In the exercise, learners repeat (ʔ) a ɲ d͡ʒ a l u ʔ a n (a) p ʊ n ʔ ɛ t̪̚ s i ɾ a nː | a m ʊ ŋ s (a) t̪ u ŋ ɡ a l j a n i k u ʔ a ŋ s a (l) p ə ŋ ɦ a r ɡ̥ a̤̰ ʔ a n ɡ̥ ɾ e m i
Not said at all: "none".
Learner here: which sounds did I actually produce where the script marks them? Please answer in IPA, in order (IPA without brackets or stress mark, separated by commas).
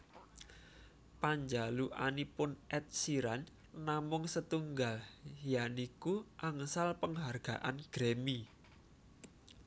p, i, ə, l